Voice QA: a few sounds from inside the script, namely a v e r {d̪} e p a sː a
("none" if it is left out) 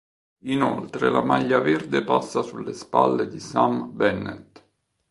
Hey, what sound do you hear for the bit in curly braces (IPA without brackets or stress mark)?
d̪